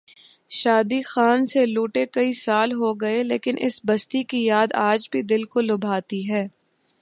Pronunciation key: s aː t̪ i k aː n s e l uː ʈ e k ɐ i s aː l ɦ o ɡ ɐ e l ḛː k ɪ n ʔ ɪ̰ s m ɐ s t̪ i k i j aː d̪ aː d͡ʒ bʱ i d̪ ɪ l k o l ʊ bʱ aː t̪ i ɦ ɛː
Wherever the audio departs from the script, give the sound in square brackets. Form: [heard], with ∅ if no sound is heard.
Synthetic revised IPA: [ʃ] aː [d̪] i [x] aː n s e l uː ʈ e k ɐ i s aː l ɦ o ɡ ɐ e l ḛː k ɪ n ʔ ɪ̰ s [b] ɐ s t̪ i k i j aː d̪ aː d͡ʒ bʱ i d̪ ɪ l k o l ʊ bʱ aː t̪ i ɦ ɛː